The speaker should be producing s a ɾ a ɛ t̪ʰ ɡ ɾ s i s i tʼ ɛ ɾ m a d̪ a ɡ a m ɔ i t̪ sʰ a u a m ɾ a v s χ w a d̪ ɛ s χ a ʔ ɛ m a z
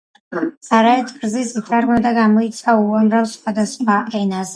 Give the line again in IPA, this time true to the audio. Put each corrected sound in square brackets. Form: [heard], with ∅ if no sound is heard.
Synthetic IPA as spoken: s a ɾ a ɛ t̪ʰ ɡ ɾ [z] i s i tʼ [a] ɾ m a d̪ a ɡ a m ɔ i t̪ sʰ a u a m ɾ a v s χ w a d̪ [a] s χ a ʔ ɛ [n] a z

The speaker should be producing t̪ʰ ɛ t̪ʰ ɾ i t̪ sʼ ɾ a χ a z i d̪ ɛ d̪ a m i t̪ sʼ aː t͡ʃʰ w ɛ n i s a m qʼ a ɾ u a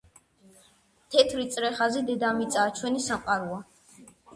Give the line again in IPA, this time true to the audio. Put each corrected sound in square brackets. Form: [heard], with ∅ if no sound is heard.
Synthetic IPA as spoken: t̪ʰ ɛ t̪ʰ ɾ i t̪ sʼ ɾ [ɛ] χ a z i d̪ ɛ d̪ a m i t̪ sʼ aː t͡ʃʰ w ɛ n i s a m qʼ a ɾ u a

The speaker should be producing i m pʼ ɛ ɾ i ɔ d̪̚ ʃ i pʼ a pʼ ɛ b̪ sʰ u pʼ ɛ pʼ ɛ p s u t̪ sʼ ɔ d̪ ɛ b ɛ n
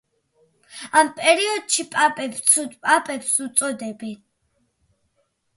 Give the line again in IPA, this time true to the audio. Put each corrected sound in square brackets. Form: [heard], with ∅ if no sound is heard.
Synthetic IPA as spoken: [a] m pʼ ɛ ɾ i ɔ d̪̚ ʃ i pʼ a pʼ ɛ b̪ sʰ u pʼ [a] pʼ ɛ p s u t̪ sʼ ɔ d̪ ɛ b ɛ n

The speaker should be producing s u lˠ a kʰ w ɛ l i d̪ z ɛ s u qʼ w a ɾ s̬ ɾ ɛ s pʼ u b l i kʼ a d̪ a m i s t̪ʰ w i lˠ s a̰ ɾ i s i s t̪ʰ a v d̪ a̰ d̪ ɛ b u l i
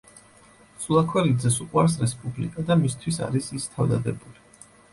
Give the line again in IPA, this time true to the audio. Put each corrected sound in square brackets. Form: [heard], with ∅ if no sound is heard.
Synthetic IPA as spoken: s u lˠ a kʰ w ɛ l i d̪ z ɛ s u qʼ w a ɾ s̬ ɾ ɛ s pʼ u b l i kʼ a d̪ a m i s t̪ʰ w i [∅] s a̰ ɾ i s i s t̪ʰ a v d̪ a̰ d̪ ɛ b u l i

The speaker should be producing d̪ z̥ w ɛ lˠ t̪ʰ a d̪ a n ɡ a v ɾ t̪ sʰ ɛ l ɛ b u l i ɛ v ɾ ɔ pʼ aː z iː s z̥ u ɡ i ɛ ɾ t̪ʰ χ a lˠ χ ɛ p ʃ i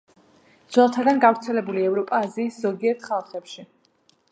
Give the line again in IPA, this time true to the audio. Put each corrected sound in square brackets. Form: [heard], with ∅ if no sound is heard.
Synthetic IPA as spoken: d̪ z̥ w ɛ lˠ t̪ʰ a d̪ a n ɡ a v ɾ t̪ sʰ ɛ l ɛ b u l i ɛ v ɾ ɔ pʼ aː z iː s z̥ [ɔ] ɡ i ɛ ɾ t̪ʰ χ a lˠ χ ɛ p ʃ i

